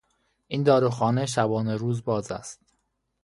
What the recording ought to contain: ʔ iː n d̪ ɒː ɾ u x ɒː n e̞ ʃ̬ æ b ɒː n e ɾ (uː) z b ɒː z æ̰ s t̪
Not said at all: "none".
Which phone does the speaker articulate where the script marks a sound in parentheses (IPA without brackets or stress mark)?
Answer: uː